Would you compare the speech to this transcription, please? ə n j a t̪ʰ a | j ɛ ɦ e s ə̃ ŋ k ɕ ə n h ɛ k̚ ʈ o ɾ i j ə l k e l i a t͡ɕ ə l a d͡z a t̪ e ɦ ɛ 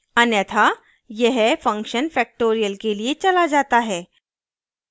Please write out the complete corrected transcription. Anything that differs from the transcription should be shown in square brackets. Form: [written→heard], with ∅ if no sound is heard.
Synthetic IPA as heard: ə n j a t̪ʰ a | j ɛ ɦ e [s→f] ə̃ ŋ k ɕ ə n [h→f] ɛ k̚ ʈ o ɾ i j ə l k e l i [a→e] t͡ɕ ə l a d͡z a t̪ [e→a] ɦ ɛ